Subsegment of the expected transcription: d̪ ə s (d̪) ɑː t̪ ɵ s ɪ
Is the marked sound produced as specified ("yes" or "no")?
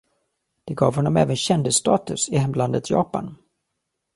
no